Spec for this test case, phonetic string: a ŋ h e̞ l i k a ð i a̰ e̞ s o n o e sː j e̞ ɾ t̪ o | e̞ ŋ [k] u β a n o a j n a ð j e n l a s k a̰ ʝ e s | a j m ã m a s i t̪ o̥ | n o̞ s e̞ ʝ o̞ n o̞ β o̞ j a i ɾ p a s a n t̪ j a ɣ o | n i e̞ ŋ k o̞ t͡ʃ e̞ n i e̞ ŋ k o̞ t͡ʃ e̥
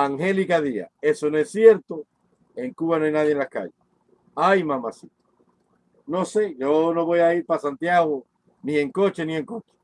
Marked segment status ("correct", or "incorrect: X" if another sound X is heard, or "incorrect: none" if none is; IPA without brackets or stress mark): correct